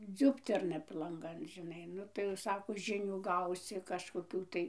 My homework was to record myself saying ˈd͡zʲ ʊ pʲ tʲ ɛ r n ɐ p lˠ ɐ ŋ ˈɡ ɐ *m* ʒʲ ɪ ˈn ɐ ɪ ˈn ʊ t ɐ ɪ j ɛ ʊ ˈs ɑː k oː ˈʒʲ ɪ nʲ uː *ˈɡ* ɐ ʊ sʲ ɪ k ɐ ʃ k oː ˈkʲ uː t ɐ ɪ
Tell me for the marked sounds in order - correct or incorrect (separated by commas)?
incorrect, correct